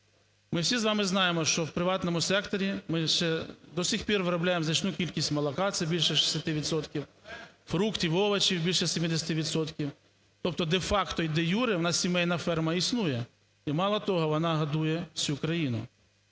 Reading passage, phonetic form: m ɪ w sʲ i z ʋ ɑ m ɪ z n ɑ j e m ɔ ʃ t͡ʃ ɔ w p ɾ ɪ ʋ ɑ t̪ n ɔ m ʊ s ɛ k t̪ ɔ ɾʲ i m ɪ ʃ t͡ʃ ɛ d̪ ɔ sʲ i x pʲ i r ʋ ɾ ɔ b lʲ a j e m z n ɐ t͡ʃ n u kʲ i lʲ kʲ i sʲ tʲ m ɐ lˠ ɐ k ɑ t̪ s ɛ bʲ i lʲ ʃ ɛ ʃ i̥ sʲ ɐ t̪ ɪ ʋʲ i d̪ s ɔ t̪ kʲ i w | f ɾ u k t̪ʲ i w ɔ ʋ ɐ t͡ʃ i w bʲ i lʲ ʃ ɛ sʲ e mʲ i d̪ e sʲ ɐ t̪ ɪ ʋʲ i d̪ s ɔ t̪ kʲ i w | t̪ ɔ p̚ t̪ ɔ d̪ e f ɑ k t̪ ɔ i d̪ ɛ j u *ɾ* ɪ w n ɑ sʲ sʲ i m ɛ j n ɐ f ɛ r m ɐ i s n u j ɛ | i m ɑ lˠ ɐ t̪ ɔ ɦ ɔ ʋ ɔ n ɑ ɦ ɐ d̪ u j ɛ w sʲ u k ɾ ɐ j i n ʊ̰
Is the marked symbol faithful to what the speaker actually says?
yes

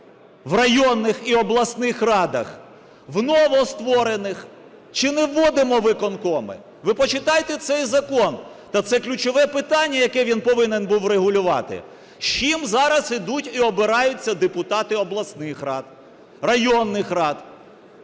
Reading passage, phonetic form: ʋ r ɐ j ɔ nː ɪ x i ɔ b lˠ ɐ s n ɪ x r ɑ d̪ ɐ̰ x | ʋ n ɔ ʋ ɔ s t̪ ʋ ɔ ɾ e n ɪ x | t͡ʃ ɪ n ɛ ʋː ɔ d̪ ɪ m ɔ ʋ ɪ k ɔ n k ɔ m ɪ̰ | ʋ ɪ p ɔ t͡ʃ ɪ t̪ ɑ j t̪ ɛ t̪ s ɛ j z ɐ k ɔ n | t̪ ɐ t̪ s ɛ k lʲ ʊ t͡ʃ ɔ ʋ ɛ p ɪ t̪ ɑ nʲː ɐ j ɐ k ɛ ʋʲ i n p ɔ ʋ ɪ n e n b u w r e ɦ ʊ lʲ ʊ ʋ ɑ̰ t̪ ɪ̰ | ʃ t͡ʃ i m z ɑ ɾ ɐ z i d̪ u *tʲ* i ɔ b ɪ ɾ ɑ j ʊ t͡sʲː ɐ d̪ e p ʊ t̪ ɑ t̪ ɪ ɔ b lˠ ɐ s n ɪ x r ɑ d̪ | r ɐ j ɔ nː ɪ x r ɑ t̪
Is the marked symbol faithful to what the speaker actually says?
yes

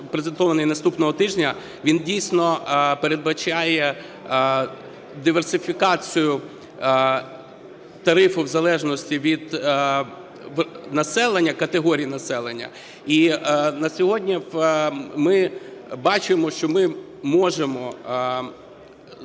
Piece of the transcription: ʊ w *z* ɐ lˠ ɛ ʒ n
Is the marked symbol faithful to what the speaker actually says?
yes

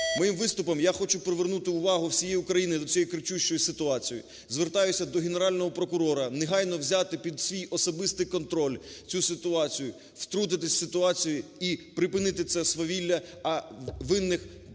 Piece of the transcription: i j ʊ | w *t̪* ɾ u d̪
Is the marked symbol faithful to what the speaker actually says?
yes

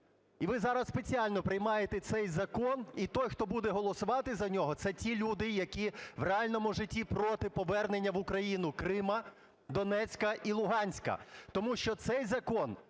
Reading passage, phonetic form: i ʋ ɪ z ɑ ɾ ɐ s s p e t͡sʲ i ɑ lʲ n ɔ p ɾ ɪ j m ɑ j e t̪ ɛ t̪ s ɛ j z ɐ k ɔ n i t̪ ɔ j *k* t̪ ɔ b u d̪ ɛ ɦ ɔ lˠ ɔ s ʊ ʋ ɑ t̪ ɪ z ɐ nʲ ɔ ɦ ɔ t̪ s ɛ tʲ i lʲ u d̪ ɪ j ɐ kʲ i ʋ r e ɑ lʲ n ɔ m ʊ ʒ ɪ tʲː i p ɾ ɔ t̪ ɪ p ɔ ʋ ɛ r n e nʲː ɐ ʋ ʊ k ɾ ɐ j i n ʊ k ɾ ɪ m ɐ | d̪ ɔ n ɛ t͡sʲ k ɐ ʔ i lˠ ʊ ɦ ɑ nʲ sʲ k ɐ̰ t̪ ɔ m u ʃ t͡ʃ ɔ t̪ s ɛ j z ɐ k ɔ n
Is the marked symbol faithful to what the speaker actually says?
no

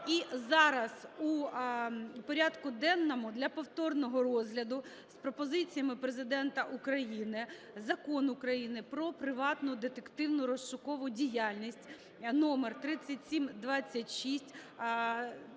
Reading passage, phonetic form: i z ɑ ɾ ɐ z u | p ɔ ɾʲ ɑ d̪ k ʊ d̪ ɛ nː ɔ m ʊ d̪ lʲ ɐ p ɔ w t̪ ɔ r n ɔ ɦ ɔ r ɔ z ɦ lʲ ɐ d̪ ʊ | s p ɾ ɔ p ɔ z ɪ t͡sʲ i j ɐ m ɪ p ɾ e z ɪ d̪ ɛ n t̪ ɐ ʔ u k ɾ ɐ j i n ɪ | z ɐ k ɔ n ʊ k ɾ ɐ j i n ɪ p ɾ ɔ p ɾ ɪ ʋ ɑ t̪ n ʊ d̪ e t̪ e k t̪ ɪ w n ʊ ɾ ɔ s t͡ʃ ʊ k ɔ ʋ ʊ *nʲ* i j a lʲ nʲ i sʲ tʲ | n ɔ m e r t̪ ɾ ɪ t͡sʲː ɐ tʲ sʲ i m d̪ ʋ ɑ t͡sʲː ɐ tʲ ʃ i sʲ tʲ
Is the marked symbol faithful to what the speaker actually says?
no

